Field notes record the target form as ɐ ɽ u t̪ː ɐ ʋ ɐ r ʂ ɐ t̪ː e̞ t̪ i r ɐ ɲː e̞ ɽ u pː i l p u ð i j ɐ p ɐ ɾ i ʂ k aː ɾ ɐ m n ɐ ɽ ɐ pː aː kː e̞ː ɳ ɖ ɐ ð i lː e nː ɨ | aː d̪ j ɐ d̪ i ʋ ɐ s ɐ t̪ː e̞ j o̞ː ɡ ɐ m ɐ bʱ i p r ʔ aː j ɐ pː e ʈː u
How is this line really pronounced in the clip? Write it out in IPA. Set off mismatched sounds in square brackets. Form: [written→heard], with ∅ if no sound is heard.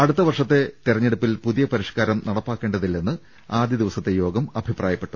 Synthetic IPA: ɐ ɽ u t̪ː ɐ ʋ ɐ r ʂ ɐ t̪ː e̞ t̪ i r ɐ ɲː e̞ ɽ u pː i l p u ð i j ɐ p ɐ ɾ i ʂ k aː ɾ ɐ m n ɐ ɽ ɐ pː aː kː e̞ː ɳ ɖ ɐ ð i lː e nː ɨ | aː d̪ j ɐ d̪ i ʋ ɐ s ɐ t̪ː e̞ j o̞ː ɡ ɐ m ɐ bʱ i p r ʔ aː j ɐ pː e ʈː u